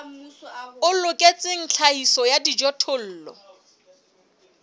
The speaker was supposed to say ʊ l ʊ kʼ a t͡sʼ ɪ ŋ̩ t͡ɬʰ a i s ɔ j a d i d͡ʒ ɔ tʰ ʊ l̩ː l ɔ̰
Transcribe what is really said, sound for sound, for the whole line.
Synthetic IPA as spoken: ʊ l ʊ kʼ e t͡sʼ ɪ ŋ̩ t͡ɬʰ a i s ɔ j a d i d͡ʒ ɔ tʰ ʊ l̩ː l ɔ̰